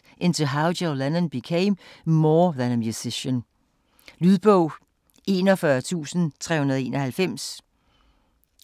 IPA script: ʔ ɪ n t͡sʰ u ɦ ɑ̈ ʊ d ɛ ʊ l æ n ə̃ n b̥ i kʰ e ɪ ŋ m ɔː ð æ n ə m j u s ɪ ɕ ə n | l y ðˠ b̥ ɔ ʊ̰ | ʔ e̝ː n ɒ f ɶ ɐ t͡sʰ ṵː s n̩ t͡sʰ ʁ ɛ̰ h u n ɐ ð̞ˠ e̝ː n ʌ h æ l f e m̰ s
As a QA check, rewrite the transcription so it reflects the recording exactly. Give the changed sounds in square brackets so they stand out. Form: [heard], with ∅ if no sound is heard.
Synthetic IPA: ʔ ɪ n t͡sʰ u ɦ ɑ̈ ʊ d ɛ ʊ l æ n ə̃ n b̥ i kʰ e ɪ [m] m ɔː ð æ n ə m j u s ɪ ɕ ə n | l y ðˠ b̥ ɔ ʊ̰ | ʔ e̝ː n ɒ f ɶ ɐ t͡sʰ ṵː s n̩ t͡sʰ ʁ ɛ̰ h u n ɐ ð̞ˠ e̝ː n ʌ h æ l f e m̰ s

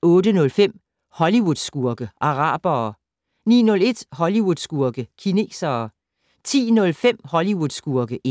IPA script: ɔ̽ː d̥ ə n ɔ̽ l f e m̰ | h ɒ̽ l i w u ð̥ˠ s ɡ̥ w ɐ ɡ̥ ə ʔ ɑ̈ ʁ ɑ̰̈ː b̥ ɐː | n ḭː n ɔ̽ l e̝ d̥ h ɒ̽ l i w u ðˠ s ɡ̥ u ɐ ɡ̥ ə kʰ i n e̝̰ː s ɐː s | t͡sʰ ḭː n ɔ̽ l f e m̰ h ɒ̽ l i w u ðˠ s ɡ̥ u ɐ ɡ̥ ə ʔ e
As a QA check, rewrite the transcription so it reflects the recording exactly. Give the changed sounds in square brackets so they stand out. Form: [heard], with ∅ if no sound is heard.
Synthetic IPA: ɔ̽ː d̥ ə n ɔ̽ l f e m̰ | h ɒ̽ l i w u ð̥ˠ s ɡ̥ [u] ɐ ɡ̥ ə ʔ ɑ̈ ʁ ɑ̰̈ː b̥ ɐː | n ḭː n ɔ̽ l e̝ d̥ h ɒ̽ l i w u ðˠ s ɡ̥ u ɐ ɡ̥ ə kʰ i n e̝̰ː s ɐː [∅] | t͡sʰ ḭː n ɔ̽ l f e m̰ h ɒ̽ l i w u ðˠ s ɡ̥ u ɐ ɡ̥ ə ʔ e

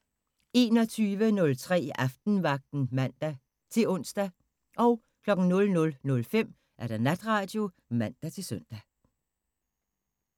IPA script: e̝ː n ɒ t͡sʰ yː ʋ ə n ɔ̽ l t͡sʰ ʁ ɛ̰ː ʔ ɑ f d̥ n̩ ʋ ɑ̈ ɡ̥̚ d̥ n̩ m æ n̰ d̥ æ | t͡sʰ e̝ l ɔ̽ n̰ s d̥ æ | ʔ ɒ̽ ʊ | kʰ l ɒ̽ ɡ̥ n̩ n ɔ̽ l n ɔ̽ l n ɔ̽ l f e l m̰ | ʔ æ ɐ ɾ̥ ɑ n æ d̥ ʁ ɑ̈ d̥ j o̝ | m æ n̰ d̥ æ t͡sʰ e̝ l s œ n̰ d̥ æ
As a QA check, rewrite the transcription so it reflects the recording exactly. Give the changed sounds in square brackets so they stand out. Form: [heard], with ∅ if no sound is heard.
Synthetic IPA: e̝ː n ɒ t͡sʰ yː ʋ ə n ɔ̽ l t͡sʰ ʁ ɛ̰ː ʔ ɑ f d̥ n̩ ʋ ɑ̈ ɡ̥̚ d̥ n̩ m æ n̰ d̥ æ | t͡sʰ e̝ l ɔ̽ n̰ s d̥ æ | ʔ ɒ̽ ʊ | kʰ l ɒ̽ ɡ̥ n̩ n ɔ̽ l n ɔ̽ l n ɔ̽ l f e [∅] m̰ | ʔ æ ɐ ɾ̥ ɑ n æ d̥ ʁ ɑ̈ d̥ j o̝ | m æ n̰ d̥ æ t͡sʰ e̝ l s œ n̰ d̥ æ

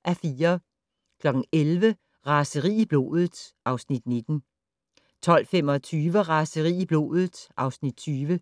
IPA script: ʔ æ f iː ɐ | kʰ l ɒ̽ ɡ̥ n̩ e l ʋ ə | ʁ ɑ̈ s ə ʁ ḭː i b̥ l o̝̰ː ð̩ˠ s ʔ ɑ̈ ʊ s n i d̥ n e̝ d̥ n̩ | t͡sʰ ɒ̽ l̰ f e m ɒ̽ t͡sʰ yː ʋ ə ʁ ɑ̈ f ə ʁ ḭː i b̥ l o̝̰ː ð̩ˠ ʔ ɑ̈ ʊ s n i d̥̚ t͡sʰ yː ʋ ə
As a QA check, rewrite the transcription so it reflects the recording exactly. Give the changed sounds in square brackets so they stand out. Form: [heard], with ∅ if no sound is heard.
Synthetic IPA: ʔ æ f iː ɐ | kʰ l ɒ̽ ɡ̥ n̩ e l ʋ ə | ʁ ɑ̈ s ə ʁ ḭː i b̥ l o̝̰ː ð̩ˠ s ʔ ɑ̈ ʊ s n i d̥ n e̝ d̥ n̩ | t͡sʰ ɒ̽ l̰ f e m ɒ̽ t͡sʰ yː ʋ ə ʁ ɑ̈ [s] ə ʁ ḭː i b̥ l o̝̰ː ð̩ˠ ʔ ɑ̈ ʊ s n i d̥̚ t͡sʰ yː ʋ ə

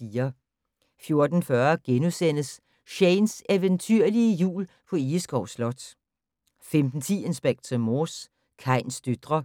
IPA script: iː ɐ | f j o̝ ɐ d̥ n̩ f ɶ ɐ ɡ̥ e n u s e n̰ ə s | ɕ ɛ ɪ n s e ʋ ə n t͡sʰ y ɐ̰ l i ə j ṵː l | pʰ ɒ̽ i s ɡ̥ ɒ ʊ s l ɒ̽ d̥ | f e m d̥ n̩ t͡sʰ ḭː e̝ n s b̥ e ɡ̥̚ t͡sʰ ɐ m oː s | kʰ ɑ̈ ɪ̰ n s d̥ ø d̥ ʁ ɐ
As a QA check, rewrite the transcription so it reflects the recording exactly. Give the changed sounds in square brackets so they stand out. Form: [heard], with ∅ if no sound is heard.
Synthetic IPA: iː ɐ | f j o̝ ɐ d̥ n̩ f ɶ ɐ ɡ̥ e n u s e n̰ ə s | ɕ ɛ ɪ n s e ʋ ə n t͡sʰ y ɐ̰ l i ə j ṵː l | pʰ ɒ̽ i s ɡ̥ ɒ ʊ s l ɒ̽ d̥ | f e m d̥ n̩ t͡sʰ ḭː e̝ n s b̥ e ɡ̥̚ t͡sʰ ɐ m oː s | kʰ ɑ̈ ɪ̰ n s d̥ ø d̥ ʁ ɐ

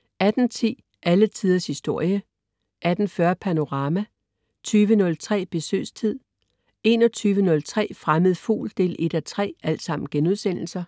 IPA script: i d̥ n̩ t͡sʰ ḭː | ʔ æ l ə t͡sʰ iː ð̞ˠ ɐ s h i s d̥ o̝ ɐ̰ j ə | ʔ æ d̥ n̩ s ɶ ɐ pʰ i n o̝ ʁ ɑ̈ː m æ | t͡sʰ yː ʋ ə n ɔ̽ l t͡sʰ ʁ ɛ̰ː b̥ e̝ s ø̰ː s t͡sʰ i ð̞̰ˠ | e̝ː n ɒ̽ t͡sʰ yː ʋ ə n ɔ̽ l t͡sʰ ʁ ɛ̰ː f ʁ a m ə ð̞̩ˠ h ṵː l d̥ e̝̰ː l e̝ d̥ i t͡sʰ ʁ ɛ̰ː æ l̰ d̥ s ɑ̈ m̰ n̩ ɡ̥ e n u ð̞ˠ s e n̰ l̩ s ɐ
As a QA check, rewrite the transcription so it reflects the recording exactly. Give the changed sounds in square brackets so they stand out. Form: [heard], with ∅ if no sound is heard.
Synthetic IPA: [æ] d̥ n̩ t͡sʰ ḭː | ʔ æ l ə t͡sʰ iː ð̞ˠ ɐ s h i s d̥ o̝ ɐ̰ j ə | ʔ æ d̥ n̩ [f] ɶ ɐ pʰ [æ] n o̝ ʁ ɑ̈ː m æ | t͡sʰ yː ʋ ə n ɔ̽ l t͡sʰ ʁ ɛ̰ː b̥ e̝ s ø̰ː s t͡sʰ i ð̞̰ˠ | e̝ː n ɒ̽ t͡sʰ yː ʋ ə n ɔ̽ l t͡sʰ ʁ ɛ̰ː f ʁ a m ə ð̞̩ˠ [f] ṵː l d̥ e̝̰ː l e̝ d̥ [æ] t͡sʰ ʁ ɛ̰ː æ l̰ d̥ s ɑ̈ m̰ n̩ ɡ̥ e n u ð̞ˠ s e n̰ l̩ s ɐ

